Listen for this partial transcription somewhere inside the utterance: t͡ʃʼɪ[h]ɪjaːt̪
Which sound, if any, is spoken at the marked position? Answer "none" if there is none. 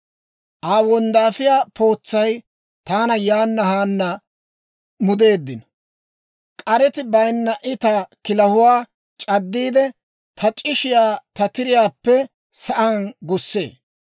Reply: ʃ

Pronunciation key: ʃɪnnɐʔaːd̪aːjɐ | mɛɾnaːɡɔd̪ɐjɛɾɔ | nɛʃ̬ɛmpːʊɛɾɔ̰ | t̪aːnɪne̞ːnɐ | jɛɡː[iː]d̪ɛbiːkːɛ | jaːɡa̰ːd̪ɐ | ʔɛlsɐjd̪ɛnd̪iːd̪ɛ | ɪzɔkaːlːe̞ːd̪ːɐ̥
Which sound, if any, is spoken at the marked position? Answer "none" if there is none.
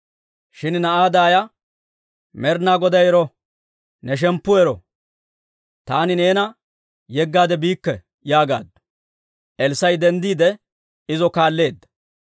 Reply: aː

